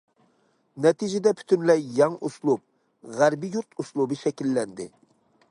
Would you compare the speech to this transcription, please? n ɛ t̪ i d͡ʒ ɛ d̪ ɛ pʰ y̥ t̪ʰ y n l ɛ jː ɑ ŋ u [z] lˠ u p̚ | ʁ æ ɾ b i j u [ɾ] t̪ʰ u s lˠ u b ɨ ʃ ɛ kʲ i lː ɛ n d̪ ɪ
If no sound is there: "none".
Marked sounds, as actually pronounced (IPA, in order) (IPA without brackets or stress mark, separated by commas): s, ɾ